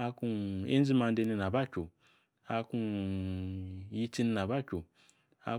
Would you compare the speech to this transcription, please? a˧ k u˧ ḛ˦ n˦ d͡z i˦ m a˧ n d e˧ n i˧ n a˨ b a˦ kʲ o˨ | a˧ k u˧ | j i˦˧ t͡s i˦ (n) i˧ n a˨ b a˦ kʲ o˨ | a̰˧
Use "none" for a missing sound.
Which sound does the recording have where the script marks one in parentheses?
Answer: n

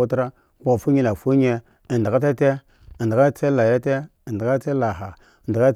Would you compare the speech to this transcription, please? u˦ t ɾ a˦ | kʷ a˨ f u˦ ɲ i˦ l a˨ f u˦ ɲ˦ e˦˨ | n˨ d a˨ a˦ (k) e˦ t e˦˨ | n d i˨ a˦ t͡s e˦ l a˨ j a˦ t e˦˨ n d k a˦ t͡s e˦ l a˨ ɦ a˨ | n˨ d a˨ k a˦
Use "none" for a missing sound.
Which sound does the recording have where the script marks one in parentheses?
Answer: t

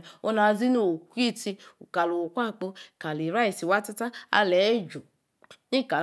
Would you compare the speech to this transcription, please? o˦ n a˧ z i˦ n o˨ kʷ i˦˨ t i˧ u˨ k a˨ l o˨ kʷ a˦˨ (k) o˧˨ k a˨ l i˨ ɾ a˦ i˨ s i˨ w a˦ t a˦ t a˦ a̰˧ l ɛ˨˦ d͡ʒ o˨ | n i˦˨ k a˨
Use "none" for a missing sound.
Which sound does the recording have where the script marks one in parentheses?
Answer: k͡p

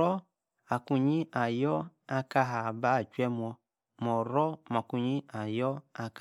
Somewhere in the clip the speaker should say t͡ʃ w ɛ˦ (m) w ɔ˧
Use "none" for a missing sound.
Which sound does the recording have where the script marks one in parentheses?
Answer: m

